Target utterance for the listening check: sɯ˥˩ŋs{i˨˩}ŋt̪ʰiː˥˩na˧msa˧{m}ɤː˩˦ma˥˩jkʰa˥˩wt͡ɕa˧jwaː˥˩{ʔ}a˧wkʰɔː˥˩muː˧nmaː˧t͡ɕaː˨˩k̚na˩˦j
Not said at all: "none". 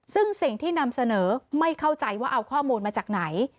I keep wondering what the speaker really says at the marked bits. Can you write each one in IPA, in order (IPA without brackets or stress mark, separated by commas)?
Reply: i˨˩, n, ʔ